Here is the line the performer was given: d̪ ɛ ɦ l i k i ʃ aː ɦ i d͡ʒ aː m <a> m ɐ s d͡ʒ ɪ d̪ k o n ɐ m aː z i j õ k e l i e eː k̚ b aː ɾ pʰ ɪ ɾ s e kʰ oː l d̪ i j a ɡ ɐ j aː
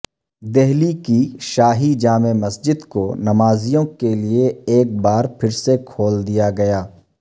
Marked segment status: incorrect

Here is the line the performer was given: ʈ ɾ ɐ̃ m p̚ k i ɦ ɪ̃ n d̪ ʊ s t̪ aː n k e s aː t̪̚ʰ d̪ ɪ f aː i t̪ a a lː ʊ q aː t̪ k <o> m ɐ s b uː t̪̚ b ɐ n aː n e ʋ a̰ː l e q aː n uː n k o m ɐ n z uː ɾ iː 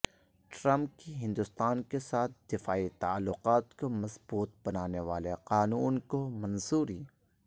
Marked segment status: correct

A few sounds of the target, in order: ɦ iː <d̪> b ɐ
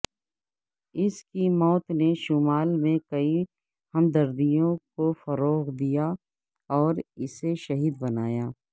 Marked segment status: correct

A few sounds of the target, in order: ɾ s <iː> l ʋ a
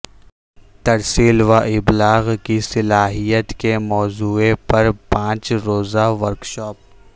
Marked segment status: correct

